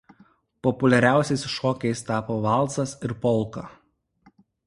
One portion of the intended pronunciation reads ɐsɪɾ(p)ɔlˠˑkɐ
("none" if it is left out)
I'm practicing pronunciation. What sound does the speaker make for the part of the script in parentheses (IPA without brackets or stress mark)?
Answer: p